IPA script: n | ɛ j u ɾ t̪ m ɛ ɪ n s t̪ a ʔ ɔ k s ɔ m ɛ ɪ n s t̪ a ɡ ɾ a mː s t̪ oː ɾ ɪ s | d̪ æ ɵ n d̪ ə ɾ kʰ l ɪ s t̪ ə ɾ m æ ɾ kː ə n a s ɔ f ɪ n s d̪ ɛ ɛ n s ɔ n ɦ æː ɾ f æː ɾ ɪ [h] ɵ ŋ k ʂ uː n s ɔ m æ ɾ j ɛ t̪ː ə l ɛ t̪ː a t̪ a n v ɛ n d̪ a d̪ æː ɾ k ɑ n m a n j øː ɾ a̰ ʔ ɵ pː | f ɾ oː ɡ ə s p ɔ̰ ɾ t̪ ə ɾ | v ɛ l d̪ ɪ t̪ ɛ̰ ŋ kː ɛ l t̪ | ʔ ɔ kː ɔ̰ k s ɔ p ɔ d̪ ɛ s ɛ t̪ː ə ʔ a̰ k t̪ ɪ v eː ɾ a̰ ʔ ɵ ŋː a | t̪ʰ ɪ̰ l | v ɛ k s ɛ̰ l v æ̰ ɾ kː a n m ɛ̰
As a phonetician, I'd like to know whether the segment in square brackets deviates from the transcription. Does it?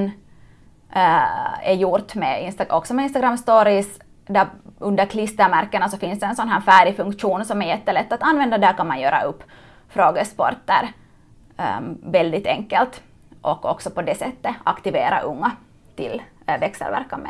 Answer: yes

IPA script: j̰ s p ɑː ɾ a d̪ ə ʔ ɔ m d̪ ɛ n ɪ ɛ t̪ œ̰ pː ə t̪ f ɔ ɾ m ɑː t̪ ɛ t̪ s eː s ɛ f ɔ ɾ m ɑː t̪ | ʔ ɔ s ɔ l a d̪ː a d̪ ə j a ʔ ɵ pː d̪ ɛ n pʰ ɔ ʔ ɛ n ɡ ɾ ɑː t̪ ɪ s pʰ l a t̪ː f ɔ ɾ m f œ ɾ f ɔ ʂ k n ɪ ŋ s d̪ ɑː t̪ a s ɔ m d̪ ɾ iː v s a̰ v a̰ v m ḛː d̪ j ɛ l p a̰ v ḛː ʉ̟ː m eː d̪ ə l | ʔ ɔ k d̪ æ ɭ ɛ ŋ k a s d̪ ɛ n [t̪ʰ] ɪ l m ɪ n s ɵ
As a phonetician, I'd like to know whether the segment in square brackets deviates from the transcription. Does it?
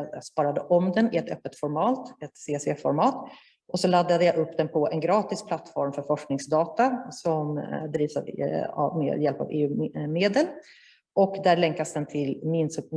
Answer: no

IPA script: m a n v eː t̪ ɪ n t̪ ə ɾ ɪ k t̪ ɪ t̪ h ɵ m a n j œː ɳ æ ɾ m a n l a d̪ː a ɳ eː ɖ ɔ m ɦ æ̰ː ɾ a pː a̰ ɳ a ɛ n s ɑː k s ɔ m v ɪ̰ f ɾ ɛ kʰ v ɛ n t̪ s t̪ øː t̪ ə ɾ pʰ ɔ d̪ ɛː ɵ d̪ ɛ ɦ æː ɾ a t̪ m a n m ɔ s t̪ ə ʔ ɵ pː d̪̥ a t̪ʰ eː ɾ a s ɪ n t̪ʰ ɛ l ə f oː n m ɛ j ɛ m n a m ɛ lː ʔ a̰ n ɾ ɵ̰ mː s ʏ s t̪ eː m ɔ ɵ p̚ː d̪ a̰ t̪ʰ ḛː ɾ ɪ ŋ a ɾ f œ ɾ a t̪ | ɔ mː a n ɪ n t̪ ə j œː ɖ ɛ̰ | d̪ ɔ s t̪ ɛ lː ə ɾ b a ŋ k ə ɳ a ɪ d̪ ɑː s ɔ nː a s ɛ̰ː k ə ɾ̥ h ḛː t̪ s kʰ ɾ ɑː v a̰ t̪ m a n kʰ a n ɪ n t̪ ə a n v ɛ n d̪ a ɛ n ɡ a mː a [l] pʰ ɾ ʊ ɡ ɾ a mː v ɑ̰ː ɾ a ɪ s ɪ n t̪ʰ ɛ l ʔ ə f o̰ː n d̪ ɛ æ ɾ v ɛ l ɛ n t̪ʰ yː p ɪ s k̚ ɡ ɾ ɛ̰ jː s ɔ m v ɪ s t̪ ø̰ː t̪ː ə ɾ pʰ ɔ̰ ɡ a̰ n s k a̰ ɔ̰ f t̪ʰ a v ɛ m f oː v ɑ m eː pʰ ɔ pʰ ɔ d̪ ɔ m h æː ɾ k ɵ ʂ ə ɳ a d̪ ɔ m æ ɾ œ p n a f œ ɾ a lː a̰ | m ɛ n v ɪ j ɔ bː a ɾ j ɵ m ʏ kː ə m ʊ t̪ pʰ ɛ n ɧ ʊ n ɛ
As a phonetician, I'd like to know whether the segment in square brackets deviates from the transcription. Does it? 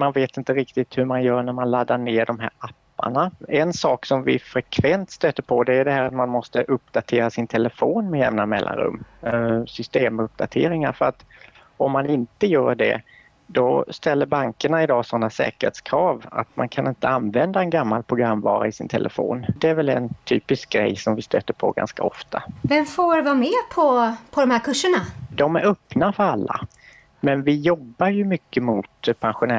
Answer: no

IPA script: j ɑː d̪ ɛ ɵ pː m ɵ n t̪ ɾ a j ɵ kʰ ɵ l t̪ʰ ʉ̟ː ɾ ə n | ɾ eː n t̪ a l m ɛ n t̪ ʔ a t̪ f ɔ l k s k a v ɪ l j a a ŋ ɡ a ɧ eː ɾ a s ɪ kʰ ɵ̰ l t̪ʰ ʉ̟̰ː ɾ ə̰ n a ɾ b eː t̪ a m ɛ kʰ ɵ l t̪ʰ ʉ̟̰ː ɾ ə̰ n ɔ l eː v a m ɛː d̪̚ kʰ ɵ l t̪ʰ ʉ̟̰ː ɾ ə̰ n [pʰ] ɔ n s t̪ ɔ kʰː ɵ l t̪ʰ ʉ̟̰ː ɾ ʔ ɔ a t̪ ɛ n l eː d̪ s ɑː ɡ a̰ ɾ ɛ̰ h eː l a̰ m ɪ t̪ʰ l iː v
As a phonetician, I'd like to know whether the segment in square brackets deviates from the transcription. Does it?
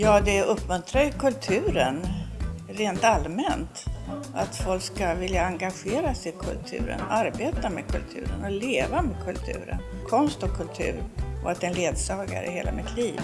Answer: yes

